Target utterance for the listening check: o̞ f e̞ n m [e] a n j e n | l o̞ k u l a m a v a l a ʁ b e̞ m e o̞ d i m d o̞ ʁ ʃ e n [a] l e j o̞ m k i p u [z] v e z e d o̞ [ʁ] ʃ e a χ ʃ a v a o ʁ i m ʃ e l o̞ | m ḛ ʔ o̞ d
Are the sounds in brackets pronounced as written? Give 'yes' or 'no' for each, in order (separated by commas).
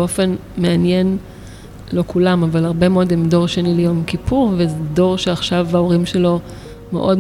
yes, no, no, yes